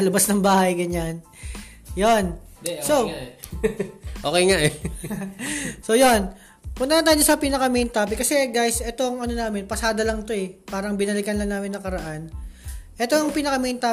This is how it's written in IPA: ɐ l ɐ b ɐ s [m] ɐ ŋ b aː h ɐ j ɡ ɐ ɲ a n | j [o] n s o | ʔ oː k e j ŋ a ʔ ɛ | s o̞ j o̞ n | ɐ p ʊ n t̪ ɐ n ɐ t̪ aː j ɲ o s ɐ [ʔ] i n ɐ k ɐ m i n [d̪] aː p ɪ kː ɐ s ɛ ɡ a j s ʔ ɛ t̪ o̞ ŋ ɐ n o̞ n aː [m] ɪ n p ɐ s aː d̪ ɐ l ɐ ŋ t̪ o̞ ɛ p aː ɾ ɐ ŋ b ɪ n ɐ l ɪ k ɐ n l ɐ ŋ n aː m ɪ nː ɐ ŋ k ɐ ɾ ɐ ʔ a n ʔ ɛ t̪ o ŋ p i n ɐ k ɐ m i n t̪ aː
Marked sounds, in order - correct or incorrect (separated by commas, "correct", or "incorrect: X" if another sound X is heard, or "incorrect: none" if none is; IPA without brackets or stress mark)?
incorrect: n, correct, incorrect: p, incorrect: t̪, correct